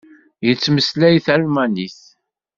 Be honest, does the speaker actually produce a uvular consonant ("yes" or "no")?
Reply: no